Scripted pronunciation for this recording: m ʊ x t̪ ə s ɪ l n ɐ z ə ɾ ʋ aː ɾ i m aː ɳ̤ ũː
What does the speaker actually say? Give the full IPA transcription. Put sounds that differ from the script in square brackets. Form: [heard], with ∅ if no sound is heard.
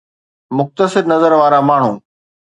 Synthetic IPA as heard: m ʊ x t̪ ə s ɪ [ɾ] n ɐ z ə ɾ ʋ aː ɾ [a] m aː ɳ̤ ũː